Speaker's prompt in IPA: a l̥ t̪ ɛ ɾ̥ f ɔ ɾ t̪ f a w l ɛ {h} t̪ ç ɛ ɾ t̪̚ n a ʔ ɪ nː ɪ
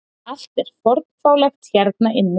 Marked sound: incorrect: x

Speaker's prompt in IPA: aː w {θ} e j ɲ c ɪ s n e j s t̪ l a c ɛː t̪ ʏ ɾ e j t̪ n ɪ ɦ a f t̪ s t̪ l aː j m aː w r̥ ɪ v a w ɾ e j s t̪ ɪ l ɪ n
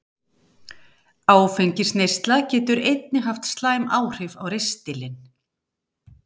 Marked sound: incorrect: f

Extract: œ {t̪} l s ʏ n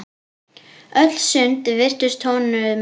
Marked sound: correct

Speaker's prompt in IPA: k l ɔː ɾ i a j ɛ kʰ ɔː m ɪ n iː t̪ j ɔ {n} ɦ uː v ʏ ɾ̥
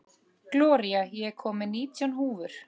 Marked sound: correct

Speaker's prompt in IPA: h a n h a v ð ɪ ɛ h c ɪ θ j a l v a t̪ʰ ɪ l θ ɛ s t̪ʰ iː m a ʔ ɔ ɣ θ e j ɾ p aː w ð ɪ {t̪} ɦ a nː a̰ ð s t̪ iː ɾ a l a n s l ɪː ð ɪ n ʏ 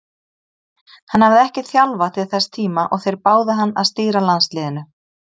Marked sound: incorrect: none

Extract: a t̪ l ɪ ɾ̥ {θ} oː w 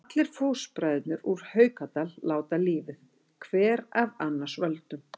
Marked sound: incorrect: f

